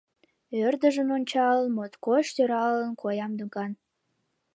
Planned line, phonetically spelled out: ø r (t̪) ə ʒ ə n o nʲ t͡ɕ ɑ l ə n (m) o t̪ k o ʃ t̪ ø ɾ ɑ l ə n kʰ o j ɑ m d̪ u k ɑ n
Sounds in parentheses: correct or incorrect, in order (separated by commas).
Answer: incorrect, correct